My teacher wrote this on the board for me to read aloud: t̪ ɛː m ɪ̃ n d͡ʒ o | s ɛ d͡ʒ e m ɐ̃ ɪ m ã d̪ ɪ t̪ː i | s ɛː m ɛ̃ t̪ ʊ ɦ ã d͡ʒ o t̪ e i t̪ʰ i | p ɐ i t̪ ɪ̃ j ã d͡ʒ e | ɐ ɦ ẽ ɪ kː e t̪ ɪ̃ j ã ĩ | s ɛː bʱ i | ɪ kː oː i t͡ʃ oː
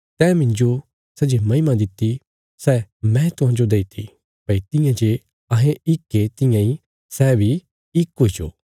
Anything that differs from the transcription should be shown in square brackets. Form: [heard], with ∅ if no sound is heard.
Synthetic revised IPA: t̪ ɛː m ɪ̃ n d͡ʒ o | s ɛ d͡ʒ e m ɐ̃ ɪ m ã d̪ ɪ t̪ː i | s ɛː m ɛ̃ t̪ ʊ ɦ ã d͡ʒ o [d̪] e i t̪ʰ i | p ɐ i t̪ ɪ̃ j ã d͡ʒ e | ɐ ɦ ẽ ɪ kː e t̪ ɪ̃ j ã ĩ | s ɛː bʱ i | ɪ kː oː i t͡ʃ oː